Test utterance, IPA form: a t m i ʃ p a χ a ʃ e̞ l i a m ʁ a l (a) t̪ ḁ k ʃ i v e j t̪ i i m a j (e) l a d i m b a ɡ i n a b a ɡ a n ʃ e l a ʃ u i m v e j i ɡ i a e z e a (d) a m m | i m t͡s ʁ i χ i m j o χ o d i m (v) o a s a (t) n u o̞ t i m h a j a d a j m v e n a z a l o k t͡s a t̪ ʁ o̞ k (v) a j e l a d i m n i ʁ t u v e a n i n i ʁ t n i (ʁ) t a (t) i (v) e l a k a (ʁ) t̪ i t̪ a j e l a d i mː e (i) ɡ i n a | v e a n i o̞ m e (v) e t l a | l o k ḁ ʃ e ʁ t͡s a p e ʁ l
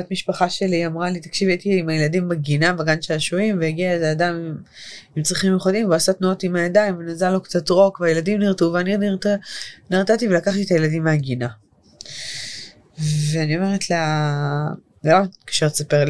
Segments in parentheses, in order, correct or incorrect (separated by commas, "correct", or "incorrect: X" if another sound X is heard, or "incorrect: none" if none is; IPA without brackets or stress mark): incorrect: i, correct, correct, correct, correct, correct, correct, correct, correct, incorrect: χ, incorrect: a, incorrect: ʁ